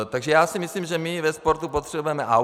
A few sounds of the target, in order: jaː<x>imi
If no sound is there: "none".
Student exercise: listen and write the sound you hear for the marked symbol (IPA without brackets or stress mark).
s